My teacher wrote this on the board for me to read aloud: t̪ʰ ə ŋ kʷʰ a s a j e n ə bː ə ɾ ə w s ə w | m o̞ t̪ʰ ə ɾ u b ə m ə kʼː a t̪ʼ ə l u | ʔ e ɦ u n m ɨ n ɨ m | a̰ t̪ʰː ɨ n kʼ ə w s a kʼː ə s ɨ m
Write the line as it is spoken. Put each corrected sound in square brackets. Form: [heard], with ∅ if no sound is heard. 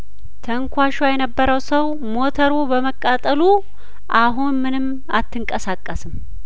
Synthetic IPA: t̪ʰ ə ŋ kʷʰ a [ʃ] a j [ɛ] n ə bː ə ɾ ə w s ə w | m o̞ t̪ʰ ə ɾ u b ə m ə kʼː a t̪ʼ ə l u | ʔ [a] ɦ u n m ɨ n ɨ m | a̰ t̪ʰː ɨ [ŋ] kʼ ə [∅] s a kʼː ə s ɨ m